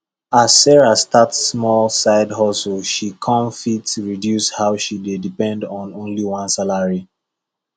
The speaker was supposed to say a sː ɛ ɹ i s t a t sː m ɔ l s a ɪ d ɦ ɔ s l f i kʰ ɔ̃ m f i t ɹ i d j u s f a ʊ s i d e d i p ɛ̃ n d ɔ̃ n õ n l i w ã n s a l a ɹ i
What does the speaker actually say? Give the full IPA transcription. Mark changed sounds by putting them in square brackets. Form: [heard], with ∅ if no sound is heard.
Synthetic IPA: a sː ɛ ɹ [a] s t a t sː m ɔ l s a ɪ d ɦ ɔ s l [ʃ] i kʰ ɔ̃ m f i t ɹ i d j u s [h] a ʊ [ʃ] i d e d i p ɛ̃ n d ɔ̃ n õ n l i w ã n s a l a ɹ i